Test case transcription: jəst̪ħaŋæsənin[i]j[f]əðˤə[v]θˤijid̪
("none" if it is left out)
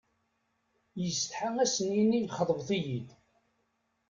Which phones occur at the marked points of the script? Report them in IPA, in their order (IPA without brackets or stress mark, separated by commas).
i, χ, v